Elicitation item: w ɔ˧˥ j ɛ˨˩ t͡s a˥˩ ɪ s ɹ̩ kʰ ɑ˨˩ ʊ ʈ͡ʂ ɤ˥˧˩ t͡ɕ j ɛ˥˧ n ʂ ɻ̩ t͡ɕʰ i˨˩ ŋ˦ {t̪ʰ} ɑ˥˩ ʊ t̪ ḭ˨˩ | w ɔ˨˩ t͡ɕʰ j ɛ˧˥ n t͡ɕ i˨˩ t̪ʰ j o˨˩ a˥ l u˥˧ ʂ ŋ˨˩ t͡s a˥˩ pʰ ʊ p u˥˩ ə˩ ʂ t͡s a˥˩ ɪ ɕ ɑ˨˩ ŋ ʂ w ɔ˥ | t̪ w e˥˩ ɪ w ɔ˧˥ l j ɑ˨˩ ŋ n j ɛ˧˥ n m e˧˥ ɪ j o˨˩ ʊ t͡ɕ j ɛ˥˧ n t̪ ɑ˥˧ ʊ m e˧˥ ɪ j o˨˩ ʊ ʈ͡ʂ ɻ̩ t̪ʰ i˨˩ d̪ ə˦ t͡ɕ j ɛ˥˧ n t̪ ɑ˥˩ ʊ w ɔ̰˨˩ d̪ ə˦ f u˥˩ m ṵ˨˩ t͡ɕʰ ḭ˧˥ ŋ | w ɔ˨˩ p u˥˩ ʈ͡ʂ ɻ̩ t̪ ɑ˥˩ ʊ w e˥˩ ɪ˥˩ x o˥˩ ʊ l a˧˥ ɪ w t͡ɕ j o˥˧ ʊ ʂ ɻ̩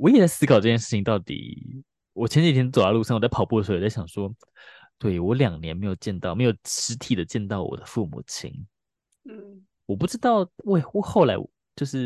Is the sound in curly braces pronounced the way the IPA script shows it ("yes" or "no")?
no